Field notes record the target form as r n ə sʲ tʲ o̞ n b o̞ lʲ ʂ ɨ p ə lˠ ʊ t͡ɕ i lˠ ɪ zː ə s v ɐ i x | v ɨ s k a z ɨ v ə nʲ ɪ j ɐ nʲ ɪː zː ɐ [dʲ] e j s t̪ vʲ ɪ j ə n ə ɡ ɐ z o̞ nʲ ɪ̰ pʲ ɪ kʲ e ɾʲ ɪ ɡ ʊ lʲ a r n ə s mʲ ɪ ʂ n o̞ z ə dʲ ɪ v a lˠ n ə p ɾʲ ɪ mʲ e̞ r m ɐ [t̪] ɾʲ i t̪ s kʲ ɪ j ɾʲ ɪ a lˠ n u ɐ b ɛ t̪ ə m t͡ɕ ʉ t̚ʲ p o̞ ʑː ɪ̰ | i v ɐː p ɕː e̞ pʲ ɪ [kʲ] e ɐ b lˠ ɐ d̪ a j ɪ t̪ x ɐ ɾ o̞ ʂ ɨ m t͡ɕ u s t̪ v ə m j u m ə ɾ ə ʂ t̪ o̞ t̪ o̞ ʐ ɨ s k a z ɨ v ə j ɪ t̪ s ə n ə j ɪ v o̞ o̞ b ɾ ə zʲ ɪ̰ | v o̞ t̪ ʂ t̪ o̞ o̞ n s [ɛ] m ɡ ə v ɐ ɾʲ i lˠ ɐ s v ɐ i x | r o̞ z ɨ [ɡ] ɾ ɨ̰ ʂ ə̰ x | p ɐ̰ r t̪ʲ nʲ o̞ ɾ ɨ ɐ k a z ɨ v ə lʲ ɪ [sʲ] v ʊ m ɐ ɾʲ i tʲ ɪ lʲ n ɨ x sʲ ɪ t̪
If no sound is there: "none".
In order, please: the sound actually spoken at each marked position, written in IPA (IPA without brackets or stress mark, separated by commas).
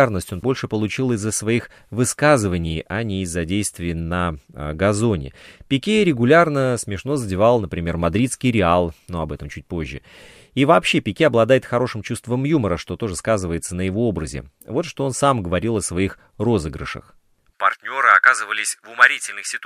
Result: dʲ, d̪, kʲ, a, ɡ, sʲ